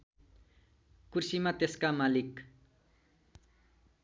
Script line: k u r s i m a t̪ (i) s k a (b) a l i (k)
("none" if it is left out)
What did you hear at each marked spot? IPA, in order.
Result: e, m, k

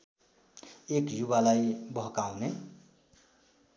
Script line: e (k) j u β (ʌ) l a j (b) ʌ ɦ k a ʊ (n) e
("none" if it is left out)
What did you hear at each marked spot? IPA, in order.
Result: k, a, b, n

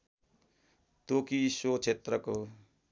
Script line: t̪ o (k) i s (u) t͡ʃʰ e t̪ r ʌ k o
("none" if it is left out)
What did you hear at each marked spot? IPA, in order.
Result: k, o

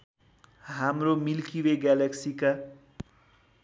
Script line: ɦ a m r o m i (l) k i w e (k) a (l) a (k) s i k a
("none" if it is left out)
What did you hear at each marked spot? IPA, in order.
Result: l, ɡ, l, k

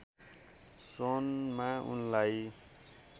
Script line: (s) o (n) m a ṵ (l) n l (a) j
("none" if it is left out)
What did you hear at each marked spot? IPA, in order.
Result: s, n, none, a

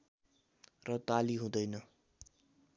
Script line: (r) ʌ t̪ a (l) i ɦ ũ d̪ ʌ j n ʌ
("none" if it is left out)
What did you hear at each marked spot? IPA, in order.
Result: r, l

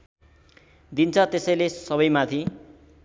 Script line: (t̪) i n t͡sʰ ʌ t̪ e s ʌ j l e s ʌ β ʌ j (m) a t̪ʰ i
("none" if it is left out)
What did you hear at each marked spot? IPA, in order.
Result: d̪, m

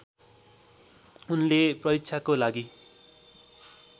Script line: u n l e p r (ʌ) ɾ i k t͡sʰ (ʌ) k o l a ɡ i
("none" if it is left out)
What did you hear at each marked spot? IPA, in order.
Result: ʌ, a

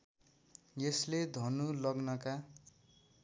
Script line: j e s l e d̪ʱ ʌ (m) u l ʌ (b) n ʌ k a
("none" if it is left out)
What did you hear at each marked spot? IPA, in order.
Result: n, ɡ

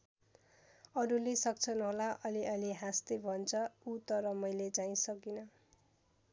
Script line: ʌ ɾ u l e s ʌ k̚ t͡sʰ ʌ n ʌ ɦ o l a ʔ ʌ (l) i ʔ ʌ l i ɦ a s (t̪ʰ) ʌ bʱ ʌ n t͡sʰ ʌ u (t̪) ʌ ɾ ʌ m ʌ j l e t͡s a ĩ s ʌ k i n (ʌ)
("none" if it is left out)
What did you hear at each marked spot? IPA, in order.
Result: l, t̪, t̪, ʌ

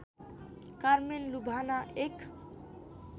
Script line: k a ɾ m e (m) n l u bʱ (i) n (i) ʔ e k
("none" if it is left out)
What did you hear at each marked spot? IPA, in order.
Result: none, a, a

